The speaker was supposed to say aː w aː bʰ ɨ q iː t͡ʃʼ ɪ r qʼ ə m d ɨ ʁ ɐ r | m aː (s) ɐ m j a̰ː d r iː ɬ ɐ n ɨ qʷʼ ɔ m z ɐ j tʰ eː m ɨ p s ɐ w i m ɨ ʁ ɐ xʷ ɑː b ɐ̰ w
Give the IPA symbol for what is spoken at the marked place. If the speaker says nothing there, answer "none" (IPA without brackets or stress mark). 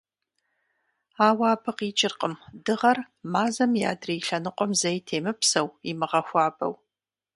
z